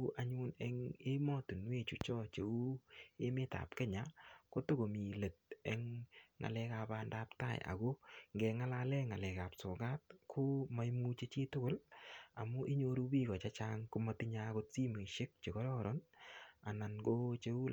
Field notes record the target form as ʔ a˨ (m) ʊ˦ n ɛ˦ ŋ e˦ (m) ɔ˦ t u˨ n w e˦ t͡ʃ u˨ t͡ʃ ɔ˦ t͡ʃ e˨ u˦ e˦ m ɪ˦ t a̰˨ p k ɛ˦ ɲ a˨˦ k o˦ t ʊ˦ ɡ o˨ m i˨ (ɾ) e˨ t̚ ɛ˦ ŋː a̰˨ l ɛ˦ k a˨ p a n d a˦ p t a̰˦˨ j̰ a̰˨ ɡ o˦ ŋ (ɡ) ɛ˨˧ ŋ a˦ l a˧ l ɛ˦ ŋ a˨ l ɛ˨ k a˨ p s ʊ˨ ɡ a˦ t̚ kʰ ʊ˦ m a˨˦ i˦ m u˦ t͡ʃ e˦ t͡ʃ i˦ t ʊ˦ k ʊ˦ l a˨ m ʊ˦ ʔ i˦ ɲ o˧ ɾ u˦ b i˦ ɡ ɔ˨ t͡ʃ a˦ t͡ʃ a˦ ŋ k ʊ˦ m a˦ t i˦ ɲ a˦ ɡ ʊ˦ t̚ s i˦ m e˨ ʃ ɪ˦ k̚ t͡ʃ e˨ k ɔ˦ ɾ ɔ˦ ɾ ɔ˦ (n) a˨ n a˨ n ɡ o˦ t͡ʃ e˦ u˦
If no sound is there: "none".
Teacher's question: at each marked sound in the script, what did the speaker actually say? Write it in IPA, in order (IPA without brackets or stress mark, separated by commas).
ɲ, m, l, ɡ, n